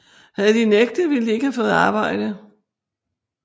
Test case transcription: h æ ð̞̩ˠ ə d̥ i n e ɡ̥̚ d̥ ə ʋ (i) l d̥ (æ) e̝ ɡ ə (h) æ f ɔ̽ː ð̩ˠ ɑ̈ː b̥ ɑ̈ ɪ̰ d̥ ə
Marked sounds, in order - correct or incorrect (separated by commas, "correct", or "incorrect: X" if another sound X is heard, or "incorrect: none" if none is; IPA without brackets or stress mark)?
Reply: correct, incorrect: i, correct